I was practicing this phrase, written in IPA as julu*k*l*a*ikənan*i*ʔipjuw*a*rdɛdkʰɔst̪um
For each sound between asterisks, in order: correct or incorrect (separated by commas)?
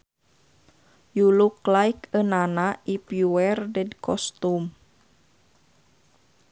correct, correct, incorrect, incorrect